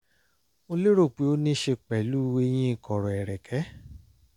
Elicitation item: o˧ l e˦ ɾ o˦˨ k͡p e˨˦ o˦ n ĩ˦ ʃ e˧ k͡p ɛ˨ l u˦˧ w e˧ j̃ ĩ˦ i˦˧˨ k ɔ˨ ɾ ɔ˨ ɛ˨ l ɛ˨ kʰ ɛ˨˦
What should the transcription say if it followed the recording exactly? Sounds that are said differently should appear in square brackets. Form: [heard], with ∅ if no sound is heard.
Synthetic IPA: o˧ l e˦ ɾ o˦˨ k͡p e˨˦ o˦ n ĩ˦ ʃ e˧ k͡p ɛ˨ l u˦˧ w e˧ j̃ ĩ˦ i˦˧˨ k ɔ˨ ɾ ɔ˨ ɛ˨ [ɾ] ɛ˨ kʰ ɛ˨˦

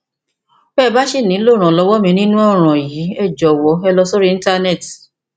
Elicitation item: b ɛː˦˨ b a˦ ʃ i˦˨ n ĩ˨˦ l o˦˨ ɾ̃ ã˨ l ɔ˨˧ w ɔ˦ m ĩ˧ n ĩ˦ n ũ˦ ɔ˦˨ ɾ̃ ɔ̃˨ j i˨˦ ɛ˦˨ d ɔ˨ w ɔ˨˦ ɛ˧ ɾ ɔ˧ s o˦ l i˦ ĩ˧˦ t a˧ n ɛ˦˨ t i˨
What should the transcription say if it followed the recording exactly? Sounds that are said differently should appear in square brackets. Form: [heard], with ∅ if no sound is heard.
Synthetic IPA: b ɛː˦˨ b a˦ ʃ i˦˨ n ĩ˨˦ l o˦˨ ɾ̃ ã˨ l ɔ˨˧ w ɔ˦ m ĩ˧ n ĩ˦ n ũ˦ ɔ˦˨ ɾ̃ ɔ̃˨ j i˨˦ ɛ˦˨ [d͡ʒ] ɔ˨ w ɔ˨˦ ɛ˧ [l] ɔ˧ s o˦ [ɾ] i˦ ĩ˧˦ t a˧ n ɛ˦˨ t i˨

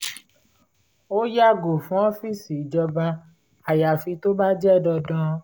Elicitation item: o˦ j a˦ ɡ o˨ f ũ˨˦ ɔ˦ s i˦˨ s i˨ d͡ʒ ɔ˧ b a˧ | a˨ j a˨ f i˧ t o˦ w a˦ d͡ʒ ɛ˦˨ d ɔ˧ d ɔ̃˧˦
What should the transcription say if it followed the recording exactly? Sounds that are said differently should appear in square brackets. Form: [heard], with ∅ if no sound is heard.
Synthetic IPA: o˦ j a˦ ɡ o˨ f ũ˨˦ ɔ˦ [f] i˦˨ s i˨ d͡ʒ ɔ˧ b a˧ | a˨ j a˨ f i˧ t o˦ [b] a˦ d͡ʒ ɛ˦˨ d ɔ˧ d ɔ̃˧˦

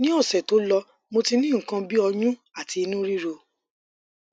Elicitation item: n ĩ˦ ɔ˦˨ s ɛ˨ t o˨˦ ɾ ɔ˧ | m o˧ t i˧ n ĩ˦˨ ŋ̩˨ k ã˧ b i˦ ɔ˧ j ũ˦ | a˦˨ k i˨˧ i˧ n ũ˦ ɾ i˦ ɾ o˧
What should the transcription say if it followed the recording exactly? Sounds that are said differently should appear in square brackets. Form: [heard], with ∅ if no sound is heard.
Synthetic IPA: n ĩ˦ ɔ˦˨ s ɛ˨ t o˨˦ [l] ɔ˧ | m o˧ t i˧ n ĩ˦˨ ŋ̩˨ k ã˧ b i˦ ɔ˧ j ũ˦ | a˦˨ [t] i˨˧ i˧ n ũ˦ ɾ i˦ ɾ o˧

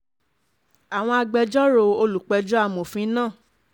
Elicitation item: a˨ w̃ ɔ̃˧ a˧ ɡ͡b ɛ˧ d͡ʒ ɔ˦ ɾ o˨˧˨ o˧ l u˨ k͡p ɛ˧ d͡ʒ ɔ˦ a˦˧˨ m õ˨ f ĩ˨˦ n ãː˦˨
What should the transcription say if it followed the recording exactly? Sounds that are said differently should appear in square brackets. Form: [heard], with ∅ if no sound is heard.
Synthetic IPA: a˨ w̃ ɔ̃˧ a˧ ɡ͡b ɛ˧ d͡ʒ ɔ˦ ɾ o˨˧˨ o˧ l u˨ k͡p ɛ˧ d͡ʒ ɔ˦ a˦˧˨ m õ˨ f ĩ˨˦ n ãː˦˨

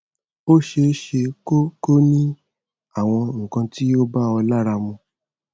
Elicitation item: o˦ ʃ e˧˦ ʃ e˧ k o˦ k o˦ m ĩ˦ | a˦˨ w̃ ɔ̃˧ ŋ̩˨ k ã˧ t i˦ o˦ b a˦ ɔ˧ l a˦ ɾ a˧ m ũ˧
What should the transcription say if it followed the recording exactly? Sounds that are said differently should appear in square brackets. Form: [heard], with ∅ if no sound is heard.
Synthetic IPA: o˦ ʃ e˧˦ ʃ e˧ k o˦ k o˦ [n] ĩ˦ | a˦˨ w̃ ɔ̃˧ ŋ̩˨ k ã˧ t i˦ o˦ b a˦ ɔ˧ l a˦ ɾ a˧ m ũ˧

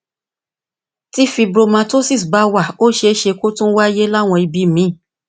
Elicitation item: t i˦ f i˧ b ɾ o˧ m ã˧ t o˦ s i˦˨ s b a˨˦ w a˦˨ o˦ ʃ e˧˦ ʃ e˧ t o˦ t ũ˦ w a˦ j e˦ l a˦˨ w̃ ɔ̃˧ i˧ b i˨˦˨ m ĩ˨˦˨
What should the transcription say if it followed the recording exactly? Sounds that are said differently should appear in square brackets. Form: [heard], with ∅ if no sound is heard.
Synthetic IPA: t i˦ f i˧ b ɾ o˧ m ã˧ t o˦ s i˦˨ s b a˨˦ w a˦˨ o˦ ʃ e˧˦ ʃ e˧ [k] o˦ t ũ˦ w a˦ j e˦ l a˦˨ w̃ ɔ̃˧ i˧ b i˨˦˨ m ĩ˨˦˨

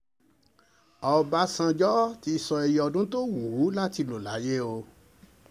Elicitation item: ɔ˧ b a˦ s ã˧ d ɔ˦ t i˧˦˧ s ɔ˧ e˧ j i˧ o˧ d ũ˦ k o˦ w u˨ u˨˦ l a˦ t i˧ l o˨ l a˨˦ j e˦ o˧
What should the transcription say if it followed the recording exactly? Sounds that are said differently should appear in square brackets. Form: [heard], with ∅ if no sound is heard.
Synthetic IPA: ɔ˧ b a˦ s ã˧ [d͡ʒ] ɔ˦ t i˧˦˧ s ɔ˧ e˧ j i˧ [ɔ˧] d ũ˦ [t] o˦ w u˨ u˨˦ l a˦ t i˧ l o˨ l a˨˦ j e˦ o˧

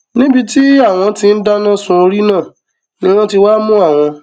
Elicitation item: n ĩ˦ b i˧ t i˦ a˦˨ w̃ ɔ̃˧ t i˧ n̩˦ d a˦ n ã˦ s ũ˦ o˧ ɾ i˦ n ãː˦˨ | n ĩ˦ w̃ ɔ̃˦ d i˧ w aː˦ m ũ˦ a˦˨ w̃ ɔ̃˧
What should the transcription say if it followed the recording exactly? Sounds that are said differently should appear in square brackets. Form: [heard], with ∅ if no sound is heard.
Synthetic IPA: n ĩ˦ b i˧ t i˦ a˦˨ w̃ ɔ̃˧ t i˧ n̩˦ d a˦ n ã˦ s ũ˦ o˧ ɾ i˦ n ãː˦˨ | n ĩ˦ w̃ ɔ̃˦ [t] i˧ w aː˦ m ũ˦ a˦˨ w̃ ɔ̃˧

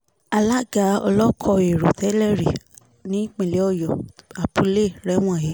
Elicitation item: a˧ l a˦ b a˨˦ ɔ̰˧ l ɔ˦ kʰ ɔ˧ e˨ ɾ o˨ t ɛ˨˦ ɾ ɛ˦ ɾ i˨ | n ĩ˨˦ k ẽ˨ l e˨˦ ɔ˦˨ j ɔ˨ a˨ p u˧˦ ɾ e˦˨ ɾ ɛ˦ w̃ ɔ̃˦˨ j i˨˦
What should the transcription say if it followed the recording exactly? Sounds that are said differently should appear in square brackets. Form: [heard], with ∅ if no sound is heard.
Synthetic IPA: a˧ l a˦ [ɡ] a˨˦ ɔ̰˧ l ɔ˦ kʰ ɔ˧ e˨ ɾ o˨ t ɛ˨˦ [l] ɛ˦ ɾ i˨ | n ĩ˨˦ [k͡p] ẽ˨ l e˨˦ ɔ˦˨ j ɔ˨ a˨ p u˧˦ [l] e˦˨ ɾ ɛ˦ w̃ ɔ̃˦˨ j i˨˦

